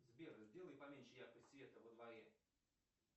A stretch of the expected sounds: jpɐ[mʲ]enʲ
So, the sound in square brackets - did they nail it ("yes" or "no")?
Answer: yes